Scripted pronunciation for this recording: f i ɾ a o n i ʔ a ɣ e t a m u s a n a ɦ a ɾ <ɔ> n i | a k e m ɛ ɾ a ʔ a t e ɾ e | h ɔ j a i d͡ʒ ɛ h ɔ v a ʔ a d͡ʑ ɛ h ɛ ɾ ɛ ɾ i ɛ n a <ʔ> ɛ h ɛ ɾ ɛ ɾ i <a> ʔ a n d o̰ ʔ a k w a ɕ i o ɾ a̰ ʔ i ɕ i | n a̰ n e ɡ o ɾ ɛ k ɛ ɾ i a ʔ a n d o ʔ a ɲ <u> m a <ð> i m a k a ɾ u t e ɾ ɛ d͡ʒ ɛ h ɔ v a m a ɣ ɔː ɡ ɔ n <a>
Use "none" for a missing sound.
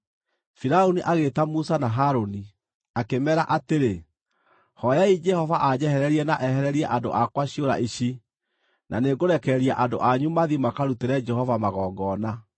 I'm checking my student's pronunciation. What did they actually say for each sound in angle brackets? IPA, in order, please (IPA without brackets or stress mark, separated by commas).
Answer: o, ʔ, ɛ, u, ð, a